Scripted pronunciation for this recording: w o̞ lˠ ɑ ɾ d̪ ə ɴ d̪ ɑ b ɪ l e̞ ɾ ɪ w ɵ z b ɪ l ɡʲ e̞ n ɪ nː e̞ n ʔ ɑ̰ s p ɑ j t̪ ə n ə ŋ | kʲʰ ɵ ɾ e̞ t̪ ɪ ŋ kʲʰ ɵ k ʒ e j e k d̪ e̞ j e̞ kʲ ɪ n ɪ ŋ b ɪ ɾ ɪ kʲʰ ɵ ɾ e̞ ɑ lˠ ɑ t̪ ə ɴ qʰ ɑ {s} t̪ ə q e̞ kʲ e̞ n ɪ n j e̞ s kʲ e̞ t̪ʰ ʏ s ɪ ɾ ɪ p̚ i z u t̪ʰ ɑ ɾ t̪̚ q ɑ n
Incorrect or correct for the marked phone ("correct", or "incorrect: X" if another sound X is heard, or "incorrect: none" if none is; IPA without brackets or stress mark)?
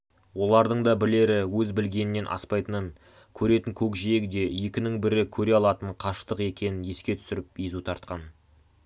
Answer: incorrect: ʃ